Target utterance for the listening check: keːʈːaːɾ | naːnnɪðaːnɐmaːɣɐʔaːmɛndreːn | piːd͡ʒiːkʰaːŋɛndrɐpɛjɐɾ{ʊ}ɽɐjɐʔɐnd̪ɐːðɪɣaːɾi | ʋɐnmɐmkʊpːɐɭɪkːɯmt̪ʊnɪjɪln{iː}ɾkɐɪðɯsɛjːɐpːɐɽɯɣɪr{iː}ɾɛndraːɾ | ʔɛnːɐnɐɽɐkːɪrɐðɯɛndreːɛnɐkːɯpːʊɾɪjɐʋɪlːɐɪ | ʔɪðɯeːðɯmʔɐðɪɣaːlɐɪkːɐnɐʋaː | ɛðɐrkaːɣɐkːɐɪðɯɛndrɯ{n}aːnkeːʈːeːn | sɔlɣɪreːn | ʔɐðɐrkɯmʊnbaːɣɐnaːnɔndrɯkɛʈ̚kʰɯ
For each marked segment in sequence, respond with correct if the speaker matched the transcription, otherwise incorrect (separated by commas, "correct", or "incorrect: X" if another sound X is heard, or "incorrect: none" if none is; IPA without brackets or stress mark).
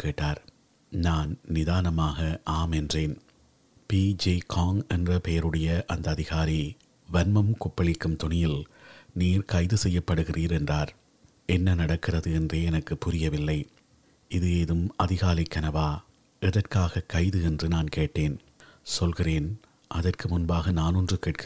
incorrect: ɯ, correct, correct, correct